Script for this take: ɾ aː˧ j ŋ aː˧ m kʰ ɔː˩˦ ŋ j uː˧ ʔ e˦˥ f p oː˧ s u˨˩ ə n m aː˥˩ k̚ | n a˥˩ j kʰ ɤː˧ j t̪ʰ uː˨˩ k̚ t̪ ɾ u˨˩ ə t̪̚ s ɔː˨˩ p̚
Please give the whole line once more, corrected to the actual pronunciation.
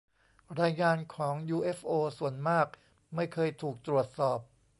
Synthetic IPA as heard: ɾ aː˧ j ŋ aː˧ n kʰ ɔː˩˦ ŋ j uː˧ ʔ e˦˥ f ʔ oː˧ s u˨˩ ə n m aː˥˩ k̚ | m a˥˩ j kʰ ɤː˧ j t̪ʰ uː˨˩ k̚ t̪ ɾ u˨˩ ə t̪̚ s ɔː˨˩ p̚